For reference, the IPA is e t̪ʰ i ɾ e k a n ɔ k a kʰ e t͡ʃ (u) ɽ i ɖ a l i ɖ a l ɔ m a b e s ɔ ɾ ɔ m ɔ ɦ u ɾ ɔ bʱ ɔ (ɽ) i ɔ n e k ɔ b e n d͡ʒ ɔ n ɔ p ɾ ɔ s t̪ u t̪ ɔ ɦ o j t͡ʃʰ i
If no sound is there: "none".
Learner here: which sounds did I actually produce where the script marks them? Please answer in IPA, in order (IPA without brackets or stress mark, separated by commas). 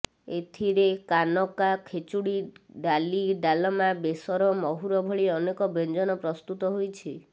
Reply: u, ɭ